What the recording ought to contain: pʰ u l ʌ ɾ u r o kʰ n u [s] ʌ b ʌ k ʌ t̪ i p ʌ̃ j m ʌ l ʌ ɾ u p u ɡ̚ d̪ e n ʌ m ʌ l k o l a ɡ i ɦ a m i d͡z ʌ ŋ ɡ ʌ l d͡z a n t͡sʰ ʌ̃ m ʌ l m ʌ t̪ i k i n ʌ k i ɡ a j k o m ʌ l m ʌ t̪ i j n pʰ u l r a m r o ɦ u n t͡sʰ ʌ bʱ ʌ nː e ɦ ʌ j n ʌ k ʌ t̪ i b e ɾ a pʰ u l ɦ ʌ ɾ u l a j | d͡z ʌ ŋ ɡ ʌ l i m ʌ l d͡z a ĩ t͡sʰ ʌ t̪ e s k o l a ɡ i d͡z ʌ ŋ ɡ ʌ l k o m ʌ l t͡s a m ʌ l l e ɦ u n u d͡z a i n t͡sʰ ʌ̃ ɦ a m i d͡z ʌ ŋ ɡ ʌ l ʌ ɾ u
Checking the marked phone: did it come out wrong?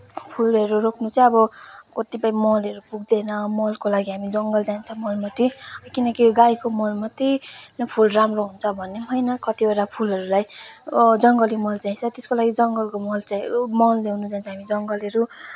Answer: yes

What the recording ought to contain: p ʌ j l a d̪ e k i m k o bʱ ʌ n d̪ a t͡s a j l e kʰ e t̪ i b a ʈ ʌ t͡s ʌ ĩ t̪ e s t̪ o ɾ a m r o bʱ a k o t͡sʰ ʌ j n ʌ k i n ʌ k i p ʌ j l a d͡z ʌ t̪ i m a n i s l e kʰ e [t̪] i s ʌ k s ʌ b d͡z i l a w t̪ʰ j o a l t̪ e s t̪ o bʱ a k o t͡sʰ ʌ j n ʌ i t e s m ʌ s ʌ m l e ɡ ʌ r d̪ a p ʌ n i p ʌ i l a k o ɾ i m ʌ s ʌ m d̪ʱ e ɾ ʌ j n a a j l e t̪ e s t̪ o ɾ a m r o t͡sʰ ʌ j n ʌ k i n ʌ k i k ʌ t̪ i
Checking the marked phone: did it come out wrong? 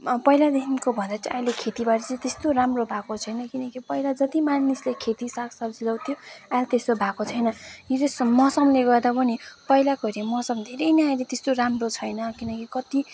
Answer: no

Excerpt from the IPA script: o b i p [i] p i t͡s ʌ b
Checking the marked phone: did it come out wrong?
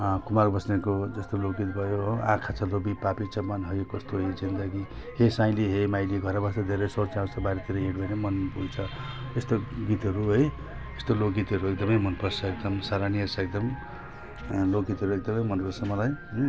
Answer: yes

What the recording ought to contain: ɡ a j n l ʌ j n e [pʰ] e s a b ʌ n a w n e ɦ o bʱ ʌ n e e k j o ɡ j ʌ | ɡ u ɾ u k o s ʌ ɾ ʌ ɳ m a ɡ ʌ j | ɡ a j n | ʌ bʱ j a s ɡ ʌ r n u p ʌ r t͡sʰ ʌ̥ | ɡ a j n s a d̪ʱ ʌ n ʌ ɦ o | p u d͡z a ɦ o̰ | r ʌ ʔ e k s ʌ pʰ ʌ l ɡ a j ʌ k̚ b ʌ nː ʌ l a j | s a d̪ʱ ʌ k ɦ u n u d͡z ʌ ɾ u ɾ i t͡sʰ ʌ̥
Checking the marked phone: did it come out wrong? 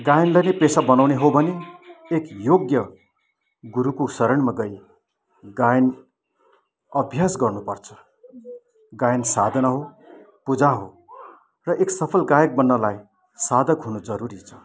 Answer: yes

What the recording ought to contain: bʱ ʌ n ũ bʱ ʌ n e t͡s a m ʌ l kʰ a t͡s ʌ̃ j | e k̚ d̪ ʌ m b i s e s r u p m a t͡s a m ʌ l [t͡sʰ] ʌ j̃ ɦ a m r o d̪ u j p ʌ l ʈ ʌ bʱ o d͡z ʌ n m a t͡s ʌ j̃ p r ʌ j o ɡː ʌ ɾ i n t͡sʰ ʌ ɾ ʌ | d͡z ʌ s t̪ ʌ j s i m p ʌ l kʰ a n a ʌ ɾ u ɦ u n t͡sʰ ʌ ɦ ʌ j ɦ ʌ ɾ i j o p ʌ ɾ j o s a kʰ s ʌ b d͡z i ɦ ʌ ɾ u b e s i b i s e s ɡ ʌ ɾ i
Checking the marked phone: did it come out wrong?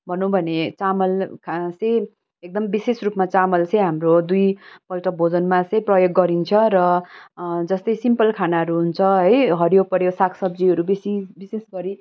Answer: yes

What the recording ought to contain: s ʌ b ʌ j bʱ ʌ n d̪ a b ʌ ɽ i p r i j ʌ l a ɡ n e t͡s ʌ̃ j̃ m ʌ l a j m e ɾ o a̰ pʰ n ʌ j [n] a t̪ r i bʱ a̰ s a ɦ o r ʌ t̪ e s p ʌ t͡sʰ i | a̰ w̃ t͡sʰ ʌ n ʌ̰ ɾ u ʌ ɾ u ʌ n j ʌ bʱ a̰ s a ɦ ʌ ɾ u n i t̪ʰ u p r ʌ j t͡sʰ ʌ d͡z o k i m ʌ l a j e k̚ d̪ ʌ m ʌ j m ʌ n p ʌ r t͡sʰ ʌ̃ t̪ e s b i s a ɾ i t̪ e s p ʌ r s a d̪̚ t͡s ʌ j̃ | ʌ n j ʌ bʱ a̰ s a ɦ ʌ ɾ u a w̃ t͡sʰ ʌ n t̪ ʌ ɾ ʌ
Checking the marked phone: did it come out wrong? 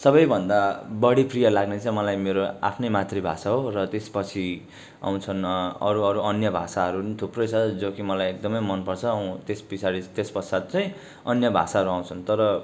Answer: yes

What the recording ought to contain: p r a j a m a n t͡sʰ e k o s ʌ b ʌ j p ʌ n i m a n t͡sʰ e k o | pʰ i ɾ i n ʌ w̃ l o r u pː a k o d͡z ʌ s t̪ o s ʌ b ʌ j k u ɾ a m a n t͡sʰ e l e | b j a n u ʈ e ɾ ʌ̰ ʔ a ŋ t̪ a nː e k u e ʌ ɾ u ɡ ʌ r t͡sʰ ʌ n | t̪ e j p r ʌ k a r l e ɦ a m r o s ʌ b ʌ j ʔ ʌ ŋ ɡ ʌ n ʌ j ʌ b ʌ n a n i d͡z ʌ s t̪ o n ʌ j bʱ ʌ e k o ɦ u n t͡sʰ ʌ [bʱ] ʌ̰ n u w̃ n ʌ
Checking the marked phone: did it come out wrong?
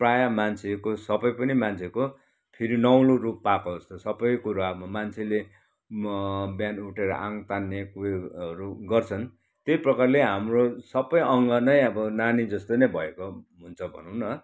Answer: no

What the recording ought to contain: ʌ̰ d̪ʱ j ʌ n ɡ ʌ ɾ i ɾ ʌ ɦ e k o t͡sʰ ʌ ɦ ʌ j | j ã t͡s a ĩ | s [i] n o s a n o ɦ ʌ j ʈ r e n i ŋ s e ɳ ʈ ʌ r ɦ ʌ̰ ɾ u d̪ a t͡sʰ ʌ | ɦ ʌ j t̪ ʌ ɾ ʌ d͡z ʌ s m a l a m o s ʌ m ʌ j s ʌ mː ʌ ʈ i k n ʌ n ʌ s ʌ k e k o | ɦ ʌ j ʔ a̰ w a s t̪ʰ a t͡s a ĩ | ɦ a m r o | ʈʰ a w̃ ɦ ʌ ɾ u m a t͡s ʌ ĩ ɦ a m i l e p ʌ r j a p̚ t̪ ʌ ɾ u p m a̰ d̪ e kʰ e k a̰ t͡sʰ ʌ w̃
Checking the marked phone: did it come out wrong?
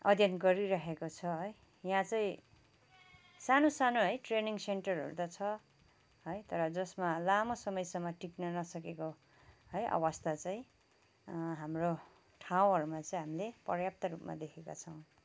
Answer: yes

